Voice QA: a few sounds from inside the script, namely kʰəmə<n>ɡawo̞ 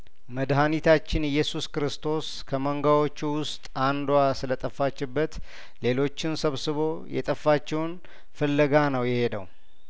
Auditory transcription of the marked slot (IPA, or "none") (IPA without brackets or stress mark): ŋ